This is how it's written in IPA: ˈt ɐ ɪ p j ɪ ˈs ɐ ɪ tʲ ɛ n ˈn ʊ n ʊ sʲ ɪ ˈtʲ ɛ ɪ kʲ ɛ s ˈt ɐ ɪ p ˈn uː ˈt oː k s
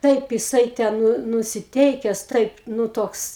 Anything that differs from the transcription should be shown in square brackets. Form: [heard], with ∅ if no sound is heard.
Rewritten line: ˈt ɐ ɪ p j ɪ ˈs ɐ ɪ tʲ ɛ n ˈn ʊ n ʊ sʲ ɪ ˈtʲ ɛ ɪ kʲ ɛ s ˈt ɐ ɪ p ˈn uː ˈt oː k s